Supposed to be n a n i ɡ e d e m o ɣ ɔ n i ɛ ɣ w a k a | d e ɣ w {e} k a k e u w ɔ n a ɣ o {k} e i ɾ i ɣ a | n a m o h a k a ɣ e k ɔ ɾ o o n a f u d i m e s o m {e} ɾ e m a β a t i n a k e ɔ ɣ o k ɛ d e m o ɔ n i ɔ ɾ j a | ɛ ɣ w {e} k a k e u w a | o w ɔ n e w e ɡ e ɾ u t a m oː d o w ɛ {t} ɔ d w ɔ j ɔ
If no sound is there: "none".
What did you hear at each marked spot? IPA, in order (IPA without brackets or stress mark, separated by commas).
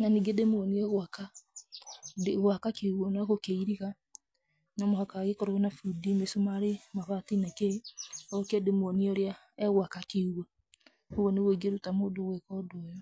a, k, a, a, k